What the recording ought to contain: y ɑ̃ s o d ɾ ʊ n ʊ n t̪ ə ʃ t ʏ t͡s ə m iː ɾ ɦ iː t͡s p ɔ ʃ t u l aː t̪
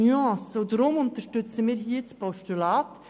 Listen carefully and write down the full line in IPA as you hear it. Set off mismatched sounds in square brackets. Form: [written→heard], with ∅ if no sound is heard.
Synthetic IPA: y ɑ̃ s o d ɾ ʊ [n→m] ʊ n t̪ ə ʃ t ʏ t͡s ə m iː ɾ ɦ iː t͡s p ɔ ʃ t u l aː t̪